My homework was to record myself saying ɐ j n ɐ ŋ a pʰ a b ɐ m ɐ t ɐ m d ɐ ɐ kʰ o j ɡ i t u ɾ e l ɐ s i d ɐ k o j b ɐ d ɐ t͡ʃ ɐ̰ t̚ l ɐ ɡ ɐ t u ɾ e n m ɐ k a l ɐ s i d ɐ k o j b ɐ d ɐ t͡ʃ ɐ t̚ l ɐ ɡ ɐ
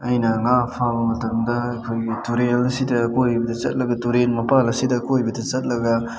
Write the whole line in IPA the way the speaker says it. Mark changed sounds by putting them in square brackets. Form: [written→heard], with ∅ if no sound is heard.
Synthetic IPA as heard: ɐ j n ɐ ŋ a pʰ a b ɐ m ɐ t ɐ m d ɐ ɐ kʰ o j ɡ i t u ɾ e l ɐ s i d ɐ k o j b ɐ d ɐ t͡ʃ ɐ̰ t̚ l ɐ ɡ ɐ t u ɾ e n m ɐ [k→p] a l ɐ s i d ɐ k o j b ɐ d ɐ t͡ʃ ɐ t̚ l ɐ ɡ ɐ